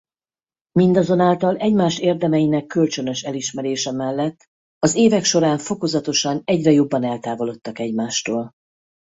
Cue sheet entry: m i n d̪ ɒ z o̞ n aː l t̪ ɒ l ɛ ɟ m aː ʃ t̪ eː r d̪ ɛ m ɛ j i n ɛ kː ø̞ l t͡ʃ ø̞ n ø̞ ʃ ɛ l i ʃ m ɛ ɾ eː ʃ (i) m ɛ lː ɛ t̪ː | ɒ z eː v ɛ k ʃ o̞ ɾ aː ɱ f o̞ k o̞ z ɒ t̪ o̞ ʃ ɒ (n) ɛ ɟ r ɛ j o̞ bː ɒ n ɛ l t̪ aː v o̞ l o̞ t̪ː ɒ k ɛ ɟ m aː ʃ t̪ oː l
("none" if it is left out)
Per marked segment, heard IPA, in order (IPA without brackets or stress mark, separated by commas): ɛ, n